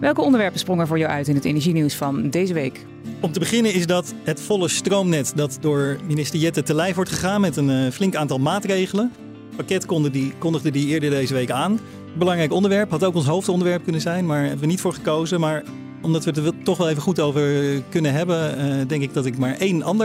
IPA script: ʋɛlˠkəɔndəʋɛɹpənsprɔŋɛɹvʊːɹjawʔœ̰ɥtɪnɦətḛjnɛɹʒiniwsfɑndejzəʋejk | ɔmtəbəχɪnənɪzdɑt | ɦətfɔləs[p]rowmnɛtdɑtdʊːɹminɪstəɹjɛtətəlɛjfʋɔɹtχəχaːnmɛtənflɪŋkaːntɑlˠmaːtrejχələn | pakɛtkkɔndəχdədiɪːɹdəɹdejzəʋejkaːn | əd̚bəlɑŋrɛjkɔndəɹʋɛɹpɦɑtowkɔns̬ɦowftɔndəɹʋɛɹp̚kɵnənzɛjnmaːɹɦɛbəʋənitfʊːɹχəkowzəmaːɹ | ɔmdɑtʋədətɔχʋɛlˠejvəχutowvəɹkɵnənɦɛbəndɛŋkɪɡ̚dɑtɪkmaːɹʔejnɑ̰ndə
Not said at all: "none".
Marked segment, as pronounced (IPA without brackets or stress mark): t